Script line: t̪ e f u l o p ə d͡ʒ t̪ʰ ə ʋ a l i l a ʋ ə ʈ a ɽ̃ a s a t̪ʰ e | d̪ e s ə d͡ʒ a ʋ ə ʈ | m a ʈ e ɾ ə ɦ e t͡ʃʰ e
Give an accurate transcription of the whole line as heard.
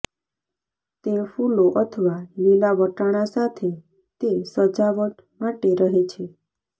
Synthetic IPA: t̪ e f u l o ʔ ə t̪ʰ ə ʋ a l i l a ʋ ə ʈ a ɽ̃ a s a t̪ʰ e | t̪ e s ə d͡ʒ a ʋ ə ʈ | m a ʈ e ɾ ə ɦ e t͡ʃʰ e